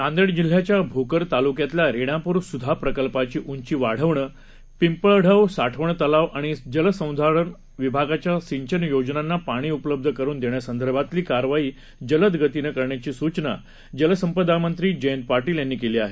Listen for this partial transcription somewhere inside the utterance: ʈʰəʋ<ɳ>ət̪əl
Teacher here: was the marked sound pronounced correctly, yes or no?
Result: yes